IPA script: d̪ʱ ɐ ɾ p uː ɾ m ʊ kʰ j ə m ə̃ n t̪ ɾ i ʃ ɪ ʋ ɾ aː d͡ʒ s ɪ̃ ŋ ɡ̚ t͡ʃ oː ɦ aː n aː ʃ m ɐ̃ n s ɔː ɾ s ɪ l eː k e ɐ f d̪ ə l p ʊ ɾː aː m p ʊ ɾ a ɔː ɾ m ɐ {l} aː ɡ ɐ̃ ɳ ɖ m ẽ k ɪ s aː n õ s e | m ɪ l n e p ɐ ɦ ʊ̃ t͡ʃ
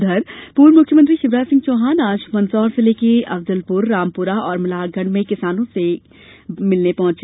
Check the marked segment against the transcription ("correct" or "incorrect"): correct